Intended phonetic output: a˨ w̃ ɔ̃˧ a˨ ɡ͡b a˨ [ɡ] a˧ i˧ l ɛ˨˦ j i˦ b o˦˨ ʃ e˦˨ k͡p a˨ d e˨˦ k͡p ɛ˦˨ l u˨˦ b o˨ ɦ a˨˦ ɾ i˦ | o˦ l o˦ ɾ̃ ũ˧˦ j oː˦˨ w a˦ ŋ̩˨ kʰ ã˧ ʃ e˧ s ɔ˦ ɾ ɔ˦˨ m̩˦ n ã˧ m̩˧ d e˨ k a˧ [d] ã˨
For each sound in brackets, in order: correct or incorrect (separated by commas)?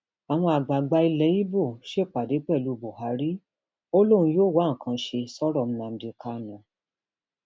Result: incorrect, incorrect